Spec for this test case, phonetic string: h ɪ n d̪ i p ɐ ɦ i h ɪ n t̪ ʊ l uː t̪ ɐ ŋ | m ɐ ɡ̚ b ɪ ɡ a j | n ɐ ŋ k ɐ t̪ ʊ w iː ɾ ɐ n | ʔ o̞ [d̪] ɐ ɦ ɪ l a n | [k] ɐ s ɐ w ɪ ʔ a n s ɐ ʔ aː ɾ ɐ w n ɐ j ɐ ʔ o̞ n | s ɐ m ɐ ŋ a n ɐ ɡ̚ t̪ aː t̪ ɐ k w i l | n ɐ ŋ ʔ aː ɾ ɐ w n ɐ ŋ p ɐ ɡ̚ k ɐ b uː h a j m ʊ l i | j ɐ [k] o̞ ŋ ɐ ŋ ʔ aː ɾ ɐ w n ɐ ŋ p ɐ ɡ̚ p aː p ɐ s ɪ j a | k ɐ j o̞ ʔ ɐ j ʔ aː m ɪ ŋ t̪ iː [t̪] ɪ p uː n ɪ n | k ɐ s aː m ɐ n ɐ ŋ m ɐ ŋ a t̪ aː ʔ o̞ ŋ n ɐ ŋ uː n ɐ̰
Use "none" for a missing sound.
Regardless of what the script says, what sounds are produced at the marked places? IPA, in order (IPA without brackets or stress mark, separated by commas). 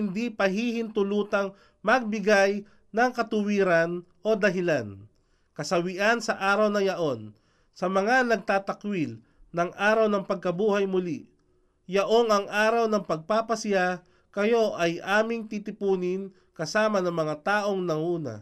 d̪, k, ʔ, t̪